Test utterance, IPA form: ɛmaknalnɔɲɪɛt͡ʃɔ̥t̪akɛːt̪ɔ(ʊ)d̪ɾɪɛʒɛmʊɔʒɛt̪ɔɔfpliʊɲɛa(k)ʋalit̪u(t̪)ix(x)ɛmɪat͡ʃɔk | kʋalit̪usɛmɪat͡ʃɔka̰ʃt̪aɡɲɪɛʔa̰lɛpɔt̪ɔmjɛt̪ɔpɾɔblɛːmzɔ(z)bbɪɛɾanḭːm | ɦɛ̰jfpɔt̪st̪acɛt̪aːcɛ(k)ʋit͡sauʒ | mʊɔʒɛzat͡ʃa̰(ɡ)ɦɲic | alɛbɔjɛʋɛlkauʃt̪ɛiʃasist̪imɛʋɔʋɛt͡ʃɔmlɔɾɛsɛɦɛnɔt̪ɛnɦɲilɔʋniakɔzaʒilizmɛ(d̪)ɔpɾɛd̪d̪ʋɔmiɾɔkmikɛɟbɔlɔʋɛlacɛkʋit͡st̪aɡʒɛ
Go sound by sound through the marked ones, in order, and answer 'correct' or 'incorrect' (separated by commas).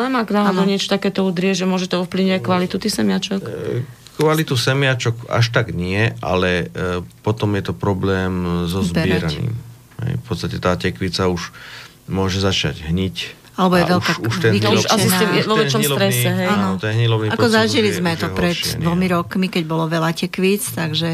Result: incorrect, correct, correct, incorrect, correct, correct, incorrect, incorrect